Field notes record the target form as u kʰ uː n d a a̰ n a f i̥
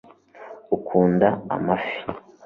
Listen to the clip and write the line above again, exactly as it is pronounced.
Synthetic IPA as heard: u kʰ uː n d a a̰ m a f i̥